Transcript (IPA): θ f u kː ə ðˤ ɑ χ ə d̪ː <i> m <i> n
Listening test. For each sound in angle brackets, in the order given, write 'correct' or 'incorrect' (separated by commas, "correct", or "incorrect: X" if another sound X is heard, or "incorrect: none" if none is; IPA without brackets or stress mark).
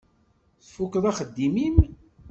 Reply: correct, correct